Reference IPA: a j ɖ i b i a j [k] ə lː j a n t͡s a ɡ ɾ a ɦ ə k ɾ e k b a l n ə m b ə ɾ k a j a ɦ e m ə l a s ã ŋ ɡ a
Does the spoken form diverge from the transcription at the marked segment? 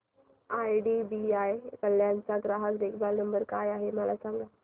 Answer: no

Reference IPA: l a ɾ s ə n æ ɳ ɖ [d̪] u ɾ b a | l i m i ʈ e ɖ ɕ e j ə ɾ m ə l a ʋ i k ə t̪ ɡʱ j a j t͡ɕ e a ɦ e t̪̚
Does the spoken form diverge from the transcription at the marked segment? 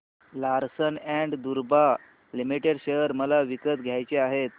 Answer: no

